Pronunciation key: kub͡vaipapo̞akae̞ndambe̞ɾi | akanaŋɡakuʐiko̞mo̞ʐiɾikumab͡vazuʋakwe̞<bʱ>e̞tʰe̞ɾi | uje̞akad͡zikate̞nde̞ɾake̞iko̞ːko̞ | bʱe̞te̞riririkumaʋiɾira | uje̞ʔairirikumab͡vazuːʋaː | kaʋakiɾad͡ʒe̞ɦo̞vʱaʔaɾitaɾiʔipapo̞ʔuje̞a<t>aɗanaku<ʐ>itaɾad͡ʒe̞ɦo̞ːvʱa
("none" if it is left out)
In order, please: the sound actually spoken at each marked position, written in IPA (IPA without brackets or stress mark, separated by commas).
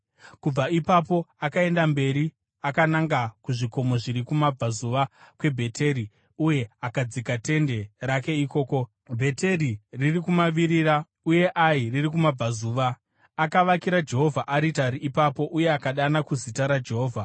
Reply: bʱ, k, z